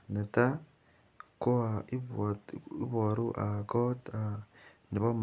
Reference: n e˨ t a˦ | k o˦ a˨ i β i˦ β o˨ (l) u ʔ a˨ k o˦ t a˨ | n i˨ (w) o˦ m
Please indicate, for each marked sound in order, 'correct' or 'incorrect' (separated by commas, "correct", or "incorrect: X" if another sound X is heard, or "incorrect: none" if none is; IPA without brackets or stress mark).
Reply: incorrect: ɾ, incorrect: β